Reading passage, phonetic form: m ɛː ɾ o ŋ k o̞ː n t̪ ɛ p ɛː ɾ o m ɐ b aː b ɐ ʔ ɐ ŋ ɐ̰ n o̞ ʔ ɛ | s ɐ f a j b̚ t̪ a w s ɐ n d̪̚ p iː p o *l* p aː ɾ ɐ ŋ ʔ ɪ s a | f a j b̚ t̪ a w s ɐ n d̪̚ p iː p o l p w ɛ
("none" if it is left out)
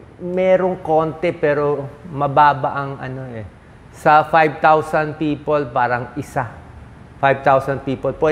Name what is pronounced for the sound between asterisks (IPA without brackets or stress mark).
l